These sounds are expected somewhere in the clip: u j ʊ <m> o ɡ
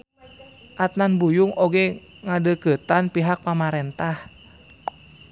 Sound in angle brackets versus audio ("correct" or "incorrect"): incorrect